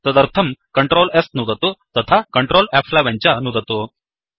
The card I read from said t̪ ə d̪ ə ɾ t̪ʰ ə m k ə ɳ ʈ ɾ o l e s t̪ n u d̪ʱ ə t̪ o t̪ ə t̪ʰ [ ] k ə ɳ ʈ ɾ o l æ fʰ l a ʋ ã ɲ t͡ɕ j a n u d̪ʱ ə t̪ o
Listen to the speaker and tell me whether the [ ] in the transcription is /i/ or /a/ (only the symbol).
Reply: a